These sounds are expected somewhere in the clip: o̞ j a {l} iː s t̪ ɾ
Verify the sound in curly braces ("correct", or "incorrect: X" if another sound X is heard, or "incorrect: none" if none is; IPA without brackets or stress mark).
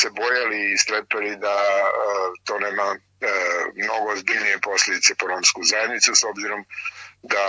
correct